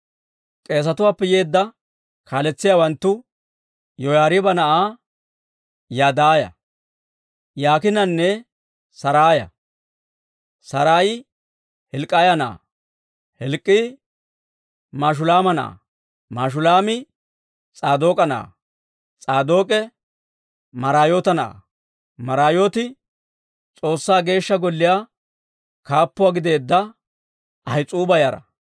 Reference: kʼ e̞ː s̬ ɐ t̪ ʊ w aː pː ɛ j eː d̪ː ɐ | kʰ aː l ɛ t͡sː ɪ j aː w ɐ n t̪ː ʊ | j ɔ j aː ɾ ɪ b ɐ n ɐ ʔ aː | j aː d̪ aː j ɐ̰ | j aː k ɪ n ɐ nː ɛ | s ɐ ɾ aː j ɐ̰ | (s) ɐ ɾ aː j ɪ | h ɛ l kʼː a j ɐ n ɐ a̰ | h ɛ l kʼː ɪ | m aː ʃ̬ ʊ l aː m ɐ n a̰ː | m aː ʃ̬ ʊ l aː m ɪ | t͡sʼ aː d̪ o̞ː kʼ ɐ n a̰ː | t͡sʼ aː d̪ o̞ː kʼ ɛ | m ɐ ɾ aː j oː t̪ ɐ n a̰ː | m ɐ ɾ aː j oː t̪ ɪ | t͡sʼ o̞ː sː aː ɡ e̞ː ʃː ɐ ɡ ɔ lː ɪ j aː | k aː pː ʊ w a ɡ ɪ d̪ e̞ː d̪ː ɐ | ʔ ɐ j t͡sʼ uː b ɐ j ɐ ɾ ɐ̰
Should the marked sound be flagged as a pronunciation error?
no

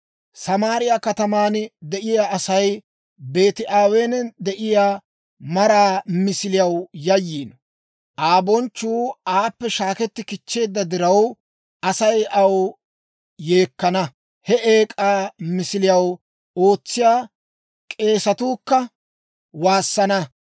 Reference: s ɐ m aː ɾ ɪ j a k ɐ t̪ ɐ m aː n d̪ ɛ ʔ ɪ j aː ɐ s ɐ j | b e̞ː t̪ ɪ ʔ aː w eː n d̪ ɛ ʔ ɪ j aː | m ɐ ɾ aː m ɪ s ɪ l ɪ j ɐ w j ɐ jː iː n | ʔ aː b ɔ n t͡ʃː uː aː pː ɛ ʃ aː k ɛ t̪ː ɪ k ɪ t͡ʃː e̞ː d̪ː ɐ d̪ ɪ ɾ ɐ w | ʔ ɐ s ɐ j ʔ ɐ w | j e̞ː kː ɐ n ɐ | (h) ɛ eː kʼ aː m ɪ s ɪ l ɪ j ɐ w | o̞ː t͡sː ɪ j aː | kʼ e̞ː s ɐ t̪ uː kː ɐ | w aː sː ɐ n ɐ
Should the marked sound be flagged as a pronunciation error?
no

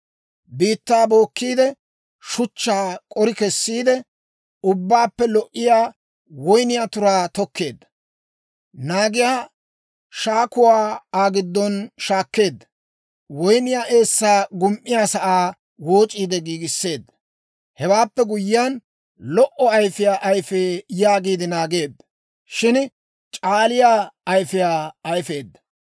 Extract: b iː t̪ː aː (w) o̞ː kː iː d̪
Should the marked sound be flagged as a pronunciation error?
yes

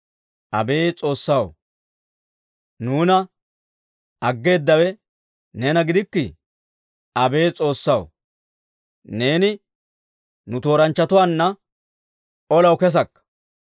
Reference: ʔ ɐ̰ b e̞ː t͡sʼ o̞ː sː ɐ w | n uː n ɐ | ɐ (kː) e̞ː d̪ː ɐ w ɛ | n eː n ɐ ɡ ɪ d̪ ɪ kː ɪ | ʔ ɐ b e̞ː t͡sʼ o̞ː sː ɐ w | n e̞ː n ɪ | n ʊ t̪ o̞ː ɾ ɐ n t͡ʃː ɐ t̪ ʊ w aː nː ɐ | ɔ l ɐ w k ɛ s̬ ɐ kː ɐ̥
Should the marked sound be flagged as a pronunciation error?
yes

